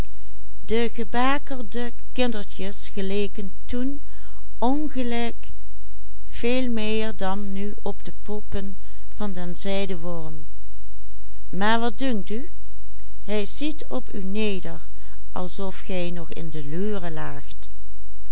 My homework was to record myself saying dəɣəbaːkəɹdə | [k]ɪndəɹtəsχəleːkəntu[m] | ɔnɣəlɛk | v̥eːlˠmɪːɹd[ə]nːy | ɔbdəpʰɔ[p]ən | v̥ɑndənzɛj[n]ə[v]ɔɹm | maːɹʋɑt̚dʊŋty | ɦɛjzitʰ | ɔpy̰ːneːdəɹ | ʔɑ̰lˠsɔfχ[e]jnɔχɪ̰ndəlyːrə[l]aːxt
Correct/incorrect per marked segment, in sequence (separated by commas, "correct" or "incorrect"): correct, incorrect, incorrect, correct, incorrect, incorrect, incorrect, correct